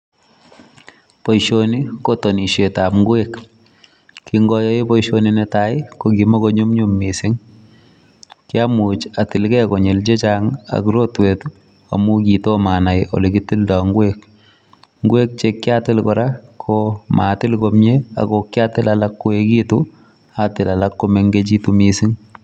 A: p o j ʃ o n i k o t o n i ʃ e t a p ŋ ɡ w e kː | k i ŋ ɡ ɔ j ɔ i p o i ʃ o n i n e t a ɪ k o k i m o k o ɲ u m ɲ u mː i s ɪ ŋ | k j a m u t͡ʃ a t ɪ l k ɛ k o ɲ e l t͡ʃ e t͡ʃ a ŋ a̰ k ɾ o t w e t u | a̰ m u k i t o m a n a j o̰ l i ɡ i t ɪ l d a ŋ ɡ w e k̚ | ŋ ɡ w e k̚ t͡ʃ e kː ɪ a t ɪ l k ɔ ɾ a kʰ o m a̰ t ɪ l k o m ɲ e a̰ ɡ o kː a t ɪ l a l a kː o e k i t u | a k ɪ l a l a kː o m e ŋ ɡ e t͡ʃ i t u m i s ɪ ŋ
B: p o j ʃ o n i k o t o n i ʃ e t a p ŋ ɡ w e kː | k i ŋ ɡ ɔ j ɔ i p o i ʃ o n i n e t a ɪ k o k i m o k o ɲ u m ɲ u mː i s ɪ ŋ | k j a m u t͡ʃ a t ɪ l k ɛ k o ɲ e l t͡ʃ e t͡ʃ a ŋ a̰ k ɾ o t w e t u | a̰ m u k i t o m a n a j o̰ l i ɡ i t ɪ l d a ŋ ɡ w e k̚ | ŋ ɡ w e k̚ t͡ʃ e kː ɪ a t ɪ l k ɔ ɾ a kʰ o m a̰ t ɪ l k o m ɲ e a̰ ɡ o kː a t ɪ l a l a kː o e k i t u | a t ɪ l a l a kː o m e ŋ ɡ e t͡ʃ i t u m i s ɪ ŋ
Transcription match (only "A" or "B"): B